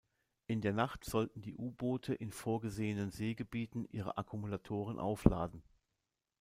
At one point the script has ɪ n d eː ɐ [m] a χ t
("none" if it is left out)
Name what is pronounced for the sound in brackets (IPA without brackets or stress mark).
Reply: n